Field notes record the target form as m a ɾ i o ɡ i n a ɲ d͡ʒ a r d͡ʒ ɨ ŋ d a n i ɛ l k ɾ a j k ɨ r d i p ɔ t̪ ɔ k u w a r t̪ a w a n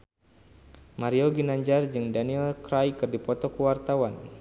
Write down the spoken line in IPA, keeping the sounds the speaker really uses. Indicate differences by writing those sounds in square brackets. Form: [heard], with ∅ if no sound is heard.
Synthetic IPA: m a ɾ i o ɡ i n a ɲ d͡ʒ a r d͡ʒ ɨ ŋ d a n i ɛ l k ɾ a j k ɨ r d i p ɔ t̪ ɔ k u w a r t̪ a w a n